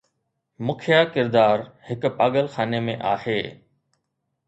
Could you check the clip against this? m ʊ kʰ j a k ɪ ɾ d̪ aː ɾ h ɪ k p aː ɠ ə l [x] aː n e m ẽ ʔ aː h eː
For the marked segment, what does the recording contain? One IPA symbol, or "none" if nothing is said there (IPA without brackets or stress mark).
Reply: x